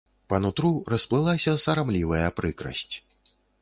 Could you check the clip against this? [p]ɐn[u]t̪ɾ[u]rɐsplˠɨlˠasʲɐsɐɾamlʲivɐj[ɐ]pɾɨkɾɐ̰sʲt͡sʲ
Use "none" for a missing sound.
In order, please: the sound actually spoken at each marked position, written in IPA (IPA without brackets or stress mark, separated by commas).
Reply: p, u, u, ɐ